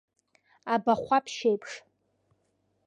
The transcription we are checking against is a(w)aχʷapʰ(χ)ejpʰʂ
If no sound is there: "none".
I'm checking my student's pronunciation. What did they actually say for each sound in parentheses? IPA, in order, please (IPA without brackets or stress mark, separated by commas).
b, ʃ